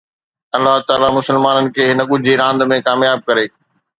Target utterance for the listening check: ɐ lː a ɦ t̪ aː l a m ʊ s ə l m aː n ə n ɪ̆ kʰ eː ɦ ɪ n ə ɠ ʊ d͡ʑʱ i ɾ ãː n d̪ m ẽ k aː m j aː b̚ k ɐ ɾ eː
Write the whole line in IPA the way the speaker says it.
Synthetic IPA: ɐ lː a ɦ t̪ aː l a m ʊ s ə l m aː n ə n ɪ̆ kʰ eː ɦ ɪ n ə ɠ ʊ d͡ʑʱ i ɾ ãː n d̪ m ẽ k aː m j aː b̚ k ɐ ɾ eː